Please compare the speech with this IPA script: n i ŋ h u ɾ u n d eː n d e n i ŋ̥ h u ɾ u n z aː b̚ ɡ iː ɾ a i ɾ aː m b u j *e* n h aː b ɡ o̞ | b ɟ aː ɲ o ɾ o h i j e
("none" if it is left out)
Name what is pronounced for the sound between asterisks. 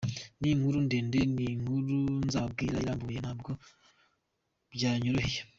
e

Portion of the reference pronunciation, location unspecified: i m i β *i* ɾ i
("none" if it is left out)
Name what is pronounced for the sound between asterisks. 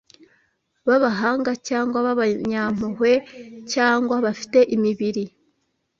i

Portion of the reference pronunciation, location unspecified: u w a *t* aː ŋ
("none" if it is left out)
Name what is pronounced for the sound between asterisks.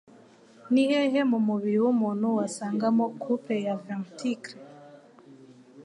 s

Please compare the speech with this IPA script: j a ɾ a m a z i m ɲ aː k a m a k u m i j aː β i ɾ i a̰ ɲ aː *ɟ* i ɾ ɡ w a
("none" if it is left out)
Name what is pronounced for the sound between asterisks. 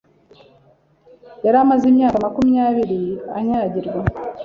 ɟ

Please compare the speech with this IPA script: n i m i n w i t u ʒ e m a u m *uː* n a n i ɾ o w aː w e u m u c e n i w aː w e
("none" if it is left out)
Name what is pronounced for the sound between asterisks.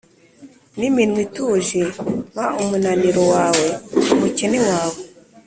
u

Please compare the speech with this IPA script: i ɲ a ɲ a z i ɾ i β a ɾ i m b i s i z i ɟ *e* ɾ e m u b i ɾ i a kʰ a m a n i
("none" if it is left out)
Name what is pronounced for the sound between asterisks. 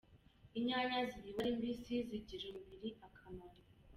i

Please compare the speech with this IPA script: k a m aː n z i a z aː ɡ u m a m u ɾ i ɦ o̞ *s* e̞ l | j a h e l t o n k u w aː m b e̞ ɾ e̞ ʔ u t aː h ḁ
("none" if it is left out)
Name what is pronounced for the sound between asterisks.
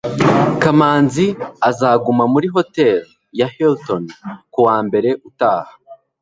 t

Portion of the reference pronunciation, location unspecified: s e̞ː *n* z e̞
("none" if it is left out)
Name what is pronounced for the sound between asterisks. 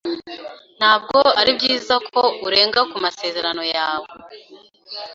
none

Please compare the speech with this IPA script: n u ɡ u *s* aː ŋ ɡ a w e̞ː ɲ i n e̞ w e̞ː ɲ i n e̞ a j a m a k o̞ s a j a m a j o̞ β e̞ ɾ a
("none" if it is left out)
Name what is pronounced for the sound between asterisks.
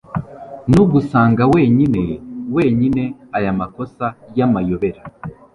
s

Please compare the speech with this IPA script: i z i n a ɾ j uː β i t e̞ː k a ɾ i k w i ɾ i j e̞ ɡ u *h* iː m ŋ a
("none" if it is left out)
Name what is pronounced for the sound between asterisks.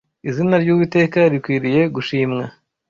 ʃ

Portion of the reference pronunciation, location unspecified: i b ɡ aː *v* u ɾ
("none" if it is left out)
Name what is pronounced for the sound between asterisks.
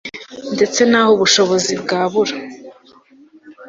β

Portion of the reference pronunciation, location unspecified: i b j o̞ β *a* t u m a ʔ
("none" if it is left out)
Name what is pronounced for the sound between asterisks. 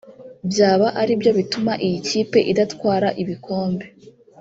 i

